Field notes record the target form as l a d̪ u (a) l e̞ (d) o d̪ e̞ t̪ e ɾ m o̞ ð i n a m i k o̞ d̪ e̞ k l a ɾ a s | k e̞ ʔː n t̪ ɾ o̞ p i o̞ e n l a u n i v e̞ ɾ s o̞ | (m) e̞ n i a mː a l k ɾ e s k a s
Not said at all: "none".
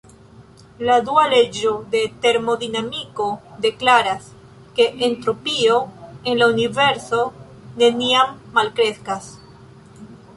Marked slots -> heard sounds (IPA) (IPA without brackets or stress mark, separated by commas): a, d͡ʒ, n